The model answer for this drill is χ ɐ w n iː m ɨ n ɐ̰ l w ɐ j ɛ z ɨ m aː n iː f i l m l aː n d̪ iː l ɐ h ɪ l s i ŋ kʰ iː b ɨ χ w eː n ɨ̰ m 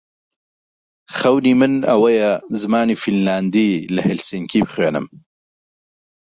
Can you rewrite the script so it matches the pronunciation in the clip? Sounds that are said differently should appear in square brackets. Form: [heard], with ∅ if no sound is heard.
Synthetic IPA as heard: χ ɐ w n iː m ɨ n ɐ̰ [∅] w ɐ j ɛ z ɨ m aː n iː f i l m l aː n d̪ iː l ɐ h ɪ l s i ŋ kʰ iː b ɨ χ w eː n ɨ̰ m